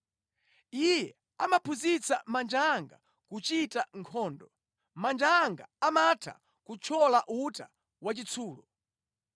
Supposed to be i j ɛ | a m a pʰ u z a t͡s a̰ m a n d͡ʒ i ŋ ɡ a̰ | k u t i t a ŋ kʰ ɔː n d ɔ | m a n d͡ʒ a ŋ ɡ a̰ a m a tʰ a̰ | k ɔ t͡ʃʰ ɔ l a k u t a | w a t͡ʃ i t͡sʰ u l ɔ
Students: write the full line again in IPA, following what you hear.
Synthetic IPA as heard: i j ɛ | a m a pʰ u z i t͡s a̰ m a n d͡ʒ a ŋ ɡ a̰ | k u t͡ʃ i t a ŋ kʰ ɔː n d ɔ | m a n d͡ʒ a ŋ ɡ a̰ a m a tʰ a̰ | k u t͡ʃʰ ɔ l a ʔ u t a | w a t͡ʃ i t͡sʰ uː l ɔ

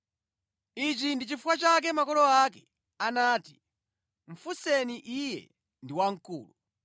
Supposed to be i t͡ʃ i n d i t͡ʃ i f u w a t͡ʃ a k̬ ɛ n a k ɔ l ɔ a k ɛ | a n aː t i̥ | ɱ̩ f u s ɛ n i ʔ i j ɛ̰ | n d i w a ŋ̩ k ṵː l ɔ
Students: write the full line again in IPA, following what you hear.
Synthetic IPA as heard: i t͡ʃ i n d i t͡ʃ i f u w a t͡ʃ a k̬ ɛ m a k ɔ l ɔ a k ɛ | a n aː t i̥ | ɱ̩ f u s ɛ n i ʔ i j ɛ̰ | n d i w a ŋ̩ k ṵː l u

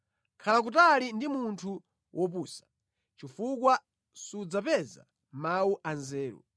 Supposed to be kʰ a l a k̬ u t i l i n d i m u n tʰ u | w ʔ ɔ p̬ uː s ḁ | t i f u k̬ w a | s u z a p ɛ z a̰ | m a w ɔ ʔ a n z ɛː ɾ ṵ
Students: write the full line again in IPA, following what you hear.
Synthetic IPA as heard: kʰ a l a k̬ u t a l i n d i m u n tʰ u | w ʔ ɔ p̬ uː s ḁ | t͡ʃ i f u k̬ w a | s u d͡z a p ɛ z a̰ | m a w u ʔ a n z ɛː ɾ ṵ

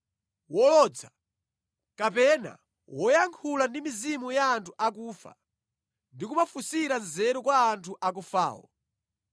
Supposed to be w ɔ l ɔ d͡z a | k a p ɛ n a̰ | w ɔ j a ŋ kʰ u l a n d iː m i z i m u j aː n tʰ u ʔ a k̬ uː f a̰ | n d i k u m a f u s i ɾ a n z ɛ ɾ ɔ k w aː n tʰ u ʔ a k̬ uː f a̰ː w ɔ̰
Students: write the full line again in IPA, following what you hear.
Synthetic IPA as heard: w ɔ l ɔ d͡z a | k a p ɛ n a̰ | w ɔ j a ŋ kʰ u l a n d i m i z i m u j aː n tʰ u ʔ a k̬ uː f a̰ | n d i k u m a f u s i ɾ a n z ɛ ɾ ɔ k w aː n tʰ u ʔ a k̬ u f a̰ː w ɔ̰

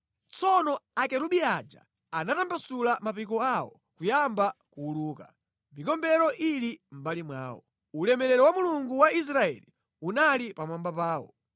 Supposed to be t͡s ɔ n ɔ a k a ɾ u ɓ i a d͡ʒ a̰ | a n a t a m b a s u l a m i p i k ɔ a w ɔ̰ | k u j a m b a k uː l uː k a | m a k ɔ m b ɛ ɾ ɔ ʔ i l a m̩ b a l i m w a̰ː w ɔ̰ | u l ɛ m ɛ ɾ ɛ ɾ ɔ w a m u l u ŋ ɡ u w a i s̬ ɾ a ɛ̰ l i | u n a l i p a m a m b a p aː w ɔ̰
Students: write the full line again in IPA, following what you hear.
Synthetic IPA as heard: t͡s ɔ n ɔ a k ɛ ɾ u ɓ i a d͡ʒ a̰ | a n a t a m b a s u l a m a p i k ɔ a w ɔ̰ | k u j a m b a k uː l uː k a | m i k ɔ m b ɛ ɾ ɔ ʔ i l i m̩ b a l i m w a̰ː w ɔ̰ | u l ɛ m ɛ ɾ ɛ ɾ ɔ w a m u l u ŋ ɡ u w a i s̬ ɾ a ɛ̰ l i | u n a l i p a m a m b a p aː w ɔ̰

